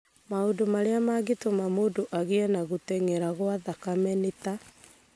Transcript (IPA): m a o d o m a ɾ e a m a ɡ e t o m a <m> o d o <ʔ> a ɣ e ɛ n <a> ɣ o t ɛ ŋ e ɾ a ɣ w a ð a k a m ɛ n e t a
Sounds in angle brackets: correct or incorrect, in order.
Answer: correct, correct, correct

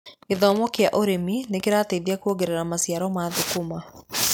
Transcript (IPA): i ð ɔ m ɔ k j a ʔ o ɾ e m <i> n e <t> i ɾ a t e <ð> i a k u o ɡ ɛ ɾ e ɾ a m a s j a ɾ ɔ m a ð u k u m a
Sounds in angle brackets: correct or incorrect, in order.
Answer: correct, incorrect, correct

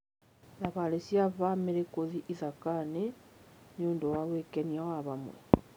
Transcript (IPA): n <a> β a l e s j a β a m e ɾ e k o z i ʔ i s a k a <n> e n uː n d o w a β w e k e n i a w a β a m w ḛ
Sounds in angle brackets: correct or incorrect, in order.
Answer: correct, correct

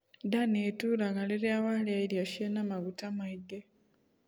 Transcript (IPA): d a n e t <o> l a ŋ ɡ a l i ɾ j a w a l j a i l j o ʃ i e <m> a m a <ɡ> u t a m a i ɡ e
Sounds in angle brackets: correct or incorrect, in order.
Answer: incorrect, incorrect, correct

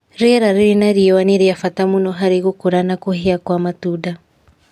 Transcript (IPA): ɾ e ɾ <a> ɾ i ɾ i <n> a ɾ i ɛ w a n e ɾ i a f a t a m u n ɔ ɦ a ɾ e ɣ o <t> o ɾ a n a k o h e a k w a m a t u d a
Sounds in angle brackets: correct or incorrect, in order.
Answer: correct, correct, incorrect

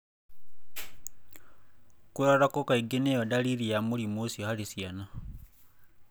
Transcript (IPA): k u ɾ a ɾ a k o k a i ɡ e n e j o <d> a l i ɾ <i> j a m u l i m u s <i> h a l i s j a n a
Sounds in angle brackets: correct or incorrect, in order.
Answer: correct, correct, correct

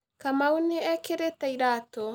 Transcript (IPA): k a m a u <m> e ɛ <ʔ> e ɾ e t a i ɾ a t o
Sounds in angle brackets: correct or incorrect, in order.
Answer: incorrect, incorrect

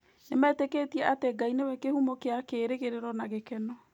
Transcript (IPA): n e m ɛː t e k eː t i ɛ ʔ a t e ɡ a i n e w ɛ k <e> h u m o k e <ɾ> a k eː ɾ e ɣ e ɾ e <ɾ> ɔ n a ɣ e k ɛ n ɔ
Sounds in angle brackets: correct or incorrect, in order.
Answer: correct, incorrect, correct

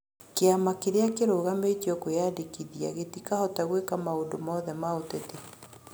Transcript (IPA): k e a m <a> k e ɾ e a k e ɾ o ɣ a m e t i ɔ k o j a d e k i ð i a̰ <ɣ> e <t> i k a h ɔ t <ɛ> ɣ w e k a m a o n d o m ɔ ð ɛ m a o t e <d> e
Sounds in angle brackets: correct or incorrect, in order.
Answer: correct, correct, correct, incorrect, incorrect

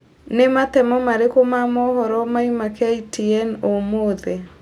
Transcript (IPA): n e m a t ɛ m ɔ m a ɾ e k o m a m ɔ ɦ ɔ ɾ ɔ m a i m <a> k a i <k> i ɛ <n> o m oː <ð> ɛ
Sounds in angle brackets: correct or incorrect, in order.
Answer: correct, incorrect, correct, correct

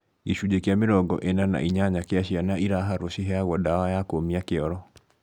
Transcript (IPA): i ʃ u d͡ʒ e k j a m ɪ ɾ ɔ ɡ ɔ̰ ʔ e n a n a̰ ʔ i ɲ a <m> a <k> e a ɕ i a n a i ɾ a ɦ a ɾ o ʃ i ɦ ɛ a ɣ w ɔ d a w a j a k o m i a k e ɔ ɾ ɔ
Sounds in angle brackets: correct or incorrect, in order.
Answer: incorrect, correct

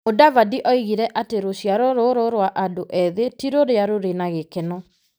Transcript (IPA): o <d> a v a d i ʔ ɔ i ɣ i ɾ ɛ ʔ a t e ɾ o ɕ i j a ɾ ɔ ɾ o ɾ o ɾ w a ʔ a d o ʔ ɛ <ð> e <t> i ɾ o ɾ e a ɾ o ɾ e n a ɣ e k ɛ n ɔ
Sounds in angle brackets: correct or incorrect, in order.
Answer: correct, correct, correct

